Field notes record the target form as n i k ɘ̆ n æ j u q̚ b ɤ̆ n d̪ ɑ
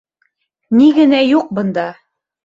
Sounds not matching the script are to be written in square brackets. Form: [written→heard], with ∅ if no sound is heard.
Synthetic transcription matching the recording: n i [k→ɡ] ɘ̆ n æ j u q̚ b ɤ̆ n d̪ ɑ